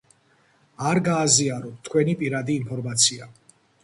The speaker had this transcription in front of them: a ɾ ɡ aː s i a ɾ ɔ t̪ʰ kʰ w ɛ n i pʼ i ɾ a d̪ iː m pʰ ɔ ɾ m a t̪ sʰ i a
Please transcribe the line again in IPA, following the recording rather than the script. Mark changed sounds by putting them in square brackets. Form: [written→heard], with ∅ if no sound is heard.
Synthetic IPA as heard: a ɾ ɡ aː [s→z] i a ɾ ɔ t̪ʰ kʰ w ɛ n i pʼ i ɾ a d̪ iː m pʰ ɔ ɾ m a t̪ sʰ i a